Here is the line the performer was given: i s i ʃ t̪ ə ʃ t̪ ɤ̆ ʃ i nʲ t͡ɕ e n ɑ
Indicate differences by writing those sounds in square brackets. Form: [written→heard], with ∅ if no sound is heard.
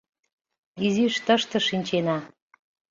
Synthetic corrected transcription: i [s→z] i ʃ t̪ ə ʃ t̪ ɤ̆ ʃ i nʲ t͡ɕ e n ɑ